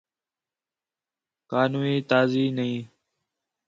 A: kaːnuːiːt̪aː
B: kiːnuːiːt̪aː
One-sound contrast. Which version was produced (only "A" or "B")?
A